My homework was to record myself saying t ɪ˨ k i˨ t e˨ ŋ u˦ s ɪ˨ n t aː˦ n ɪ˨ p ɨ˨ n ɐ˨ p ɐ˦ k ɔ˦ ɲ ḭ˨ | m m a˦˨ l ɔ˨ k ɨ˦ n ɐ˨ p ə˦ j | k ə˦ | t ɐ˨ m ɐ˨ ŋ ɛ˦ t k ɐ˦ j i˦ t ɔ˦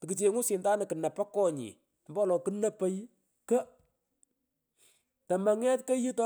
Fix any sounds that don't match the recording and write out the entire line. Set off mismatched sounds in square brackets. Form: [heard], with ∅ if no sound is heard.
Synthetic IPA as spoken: t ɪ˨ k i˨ [t͡ʃ] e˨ ŋ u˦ s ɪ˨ n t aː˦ n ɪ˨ [k] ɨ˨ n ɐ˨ p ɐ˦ k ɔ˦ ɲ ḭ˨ | m [b] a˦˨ l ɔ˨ k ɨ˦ n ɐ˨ p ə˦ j | k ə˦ | t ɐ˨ m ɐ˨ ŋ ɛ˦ t k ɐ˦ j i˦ t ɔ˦